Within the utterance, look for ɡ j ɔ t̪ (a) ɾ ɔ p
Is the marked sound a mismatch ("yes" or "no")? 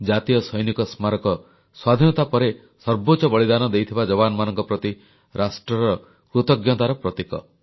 no